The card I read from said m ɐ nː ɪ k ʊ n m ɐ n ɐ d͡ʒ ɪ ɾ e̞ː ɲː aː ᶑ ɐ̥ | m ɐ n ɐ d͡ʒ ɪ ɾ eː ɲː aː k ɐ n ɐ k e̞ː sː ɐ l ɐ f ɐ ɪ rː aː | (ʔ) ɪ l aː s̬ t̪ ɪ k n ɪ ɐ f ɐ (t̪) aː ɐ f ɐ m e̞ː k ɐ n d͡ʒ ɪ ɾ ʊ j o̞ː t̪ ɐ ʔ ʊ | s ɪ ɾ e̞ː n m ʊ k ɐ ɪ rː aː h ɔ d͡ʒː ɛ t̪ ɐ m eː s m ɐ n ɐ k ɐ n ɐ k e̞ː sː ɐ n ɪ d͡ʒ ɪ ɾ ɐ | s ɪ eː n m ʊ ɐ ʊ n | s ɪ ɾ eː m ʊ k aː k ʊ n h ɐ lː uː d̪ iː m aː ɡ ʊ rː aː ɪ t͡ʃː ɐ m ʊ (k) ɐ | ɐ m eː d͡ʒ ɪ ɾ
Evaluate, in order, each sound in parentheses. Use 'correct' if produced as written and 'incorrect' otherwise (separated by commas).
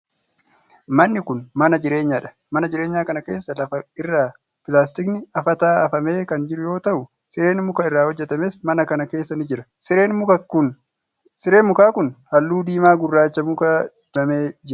incorrect, correct, correct